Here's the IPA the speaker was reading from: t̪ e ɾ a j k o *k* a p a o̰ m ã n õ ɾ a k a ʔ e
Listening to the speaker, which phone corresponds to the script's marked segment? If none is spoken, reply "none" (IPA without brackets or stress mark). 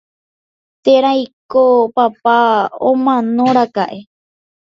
p